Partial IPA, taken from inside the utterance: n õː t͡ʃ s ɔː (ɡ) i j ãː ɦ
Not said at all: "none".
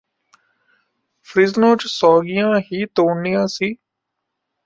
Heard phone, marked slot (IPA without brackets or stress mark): ɡ